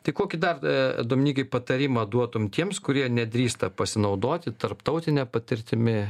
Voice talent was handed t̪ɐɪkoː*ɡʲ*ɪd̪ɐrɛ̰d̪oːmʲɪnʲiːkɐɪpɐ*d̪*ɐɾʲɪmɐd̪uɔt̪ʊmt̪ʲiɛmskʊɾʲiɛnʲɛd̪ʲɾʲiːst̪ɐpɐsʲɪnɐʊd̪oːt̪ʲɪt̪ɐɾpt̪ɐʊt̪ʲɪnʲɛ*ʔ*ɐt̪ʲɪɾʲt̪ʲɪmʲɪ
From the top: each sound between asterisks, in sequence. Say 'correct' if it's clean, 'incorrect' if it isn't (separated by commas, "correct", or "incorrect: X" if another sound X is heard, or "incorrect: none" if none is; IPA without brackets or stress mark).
incorrect: kʲ, incorrect: t̪, incorrect: p